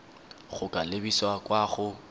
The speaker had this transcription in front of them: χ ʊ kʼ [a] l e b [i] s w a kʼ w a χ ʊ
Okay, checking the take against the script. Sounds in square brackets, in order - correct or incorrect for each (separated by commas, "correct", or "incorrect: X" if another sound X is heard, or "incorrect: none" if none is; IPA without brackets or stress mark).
correct, correct